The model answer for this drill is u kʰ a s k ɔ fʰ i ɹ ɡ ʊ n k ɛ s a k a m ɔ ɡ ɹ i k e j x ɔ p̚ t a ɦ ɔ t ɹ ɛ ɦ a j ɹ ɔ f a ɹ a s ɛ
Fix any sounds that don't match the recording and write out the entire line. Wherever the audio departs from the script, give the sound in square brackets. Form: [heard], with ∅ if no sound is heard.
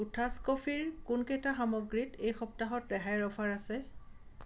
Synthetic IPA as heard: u [tʰ] a s k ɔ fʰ i ɹ [k] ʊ n k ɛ [t] a [x] a m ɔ ɡ ɹ i [t] e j x ɔ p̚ t a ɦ ɔ t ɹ ɛ ɦ a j ɹ ɔ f a ɹ a s ɛ